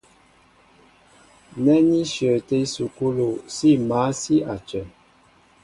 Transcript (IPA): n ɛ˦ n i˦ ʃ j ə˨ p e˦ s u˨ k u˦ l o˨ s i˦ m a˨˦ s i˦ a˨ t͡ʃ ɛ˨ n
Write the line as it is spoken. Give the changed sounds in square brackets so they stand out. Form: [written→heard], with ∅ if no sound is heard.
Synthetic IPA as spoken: n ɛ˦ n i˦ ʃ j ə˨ [p→t] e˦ s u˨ k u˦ l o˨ s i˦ m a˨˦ s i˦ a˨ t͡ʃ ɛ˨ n